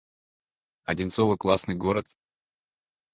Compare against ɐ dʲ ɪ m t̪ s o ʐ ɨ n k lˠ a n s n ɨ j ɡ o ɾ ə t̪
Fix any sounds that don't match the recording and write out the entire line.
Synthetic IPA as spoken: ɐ dʲ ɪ n t̪ s o v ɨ k lˠ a s n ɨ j ɡ o ɾ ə t̪